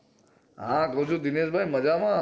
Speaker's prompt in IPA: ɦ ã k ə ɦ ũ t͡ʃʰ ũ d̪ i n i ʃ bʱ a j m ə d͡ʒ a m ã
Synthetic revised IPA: ɦ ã k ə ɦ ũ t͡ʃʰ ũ d̪ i n e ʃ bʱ a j m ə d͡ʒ a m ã